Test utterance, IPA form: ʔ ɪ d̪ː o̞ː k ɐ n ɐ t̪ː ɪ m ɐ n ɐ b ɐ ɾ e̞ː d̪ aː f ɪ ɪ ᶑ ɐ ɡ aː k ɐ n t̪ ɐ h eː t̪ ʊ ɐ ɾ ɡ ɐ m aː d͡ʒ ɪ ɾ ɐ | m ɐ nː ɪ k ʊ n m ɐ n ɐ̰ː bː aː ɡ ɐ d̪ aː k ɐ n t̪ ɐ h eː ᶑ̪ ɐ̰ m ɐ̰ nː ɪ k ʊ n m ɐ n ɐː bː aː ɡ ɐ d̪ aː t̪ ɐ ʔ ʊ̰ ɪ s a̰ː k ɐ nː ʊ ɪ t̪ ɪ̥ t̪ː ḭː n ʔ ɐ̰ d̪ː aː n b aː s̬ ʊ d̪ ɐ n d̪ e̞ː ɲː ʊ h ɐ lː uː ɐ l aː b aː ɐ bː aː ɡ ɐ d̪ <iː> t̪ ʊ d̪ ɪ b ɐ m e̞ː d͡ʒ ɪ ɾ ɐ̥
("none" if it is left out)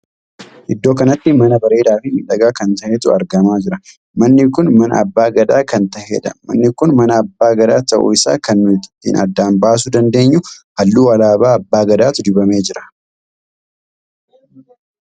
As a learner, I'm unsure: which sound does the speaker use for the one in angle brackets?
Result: aː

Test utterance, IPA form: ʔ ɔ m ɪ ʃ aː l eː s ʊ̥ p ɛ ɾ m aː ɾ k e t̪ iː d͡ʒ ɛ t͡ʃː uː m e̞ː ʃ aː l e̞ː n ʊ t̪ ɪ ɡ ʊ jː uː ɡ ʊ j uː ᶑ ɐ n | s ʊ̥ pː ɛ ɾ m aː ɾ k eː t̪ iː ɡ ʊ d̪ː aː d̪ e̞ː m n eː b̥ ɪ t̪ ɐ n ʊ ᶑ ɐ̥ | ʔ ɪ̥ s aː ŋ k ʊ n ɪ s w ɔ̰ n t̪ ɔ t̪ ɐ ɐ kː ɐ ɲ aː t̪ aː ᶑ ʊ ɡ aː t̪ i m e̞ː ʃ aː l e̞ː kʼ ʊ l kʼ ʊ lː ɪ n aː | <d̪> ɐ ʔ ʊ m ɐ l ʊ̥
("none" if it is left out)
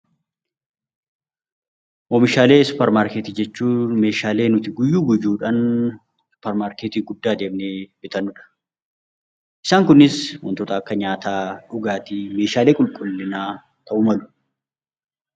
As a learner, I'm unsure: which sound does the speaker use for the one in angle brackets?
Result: t̪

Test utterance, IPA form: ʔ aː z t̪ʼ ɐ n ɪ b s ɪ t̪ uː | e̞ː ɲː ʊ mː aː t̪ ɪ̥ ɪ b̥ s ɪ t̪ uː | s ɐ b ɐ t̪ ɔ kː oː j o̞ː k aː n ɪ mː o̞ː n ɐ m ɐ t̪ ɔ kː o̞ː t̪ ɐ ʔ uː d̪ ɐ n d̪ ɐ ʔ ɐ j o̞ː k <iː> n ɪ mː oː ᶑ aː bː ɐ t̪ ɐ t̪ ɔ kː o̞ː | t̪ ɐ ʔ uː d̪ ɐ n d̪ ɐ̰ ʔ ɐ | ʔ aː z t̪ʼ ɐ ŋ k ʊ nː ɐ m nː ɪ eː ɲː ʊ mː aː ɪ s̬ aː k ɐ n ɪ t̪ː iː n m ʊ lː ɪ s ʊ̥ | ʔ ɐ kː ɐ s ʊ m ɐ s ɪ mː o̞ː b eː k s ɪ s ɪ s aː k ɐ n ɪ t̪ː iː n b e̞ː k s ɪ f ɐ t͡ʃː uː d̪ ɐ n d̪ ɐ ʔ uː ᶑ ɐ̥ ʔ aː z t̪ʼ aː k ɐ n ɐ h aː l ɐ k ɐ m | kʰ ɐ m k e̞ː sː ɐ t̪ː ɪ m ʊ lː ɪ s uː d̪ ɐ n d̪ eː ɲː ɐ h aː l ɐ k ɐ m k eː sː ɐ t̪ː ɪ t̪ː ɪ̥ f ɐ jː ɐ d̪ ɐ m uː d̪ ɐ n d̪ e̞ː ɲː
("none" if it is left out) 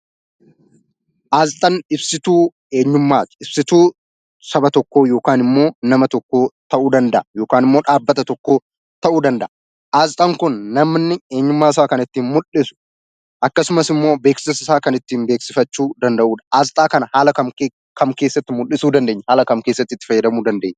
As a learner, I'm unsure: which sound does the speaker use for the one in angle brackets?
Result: aː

